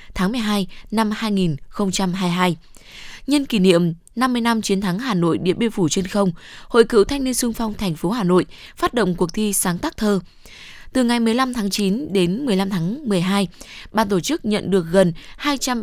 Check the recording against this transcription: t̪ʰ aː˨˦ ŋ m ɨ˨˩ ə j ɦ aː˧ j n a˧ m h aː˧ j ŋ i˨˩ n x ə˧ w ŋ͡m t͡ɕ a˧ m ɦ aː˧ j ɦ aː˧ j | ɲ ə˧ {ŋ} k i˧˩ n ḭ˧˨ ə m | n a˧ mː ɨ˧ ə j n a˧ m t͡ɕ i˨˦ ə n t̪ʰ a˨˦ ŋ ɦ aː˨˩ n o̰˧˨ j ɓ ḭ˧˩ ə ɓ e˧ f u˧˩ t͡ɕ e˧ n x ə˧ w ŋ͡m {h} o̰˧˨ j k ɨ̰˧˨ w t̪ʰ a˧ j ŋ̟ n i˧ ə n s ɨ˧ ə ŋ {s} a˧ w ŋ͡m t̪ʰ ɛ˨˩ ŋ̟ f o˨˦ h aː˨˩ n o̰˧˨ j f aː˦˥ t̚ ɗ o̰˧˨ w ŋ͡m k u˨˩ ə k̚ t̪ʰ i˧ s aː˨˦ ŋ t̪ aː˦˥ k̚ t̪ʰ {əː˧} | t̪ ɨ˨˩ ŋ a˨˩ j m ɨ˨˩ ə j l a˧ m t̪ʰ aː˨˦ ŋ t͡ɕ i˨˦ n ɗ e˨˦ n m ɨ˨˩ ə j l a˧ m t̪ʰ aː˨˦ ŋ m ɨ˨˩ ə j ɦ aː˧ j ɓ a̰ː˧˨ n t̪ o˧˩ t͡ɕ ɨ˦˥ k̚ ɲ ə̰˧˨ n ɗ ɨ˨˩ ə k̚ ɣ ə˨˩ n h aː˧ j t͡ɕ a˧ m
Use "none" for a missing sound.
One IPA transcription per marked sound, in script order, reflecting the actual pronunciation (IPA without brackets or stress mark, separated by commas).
n, h, f, əː˧